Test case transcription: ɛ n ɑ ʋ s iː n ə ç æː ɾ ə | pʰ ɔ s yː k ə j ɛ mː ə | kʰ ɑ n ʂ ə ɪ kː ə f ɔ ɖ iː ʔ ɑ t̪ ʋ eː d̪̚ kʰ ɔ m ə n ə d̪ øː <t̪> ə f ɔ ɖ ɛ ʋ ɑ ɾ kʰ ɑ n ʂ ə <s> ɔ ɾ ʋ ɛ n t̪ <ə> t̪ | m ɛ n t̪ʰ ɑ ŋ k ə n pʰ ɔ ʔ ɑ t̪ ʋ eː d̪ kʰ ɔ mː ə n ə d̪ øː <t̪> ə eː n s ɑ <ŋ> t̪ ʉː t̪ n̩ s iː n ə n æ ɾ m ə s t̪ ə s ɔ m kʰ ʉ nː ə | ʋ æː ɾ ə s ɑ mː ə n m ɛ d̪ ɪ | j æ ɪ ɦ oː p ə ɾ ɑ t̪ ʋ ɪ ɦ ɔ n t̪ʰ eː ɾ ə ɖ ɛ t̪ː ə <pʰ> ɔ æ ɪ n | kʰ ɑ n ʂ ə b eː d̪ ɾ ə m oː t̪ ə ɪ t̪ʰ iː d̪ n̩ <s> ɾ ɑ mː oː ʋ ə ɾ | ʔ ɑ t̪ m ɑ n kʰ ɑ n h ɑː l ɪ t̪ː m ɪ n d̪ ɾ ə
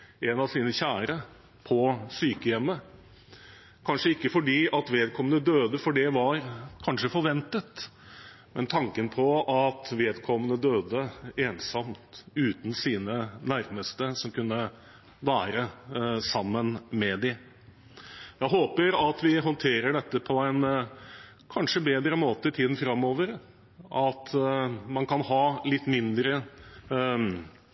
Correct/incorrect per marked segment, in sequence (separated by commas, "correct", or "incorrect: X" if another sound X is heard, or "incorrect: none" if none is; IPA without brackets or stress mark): incorrect: d̪, incorrect: f, correct, incorrect: d̪, incorrect: m, correct, incorrect: f